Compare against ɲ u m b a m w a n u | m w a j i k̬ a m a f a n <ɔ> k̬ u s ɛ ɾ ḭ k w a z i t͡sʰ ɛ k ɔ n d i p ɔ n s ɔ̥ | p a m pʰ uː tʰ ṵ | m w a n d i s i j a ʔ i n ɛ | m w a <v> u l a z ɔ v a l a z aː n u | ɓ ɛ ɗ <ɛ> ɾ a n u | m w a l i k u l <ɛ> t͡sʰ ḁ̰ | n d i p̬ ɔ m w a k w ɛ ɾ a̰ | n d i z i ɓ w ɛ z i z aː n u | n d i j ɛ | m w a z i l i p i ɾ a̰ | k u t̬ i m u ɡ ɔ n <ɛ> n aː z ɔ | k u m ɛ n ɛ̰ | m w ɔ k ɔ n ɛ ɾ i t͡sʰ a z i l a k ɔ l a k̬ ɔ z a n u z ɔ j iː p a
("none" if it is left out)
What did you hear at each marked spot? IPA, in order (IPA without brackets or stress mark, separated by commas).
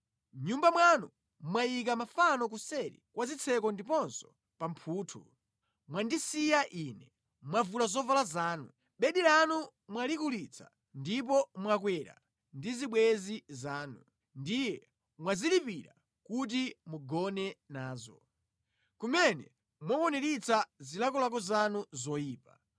ɔ, v, i, i, ɛ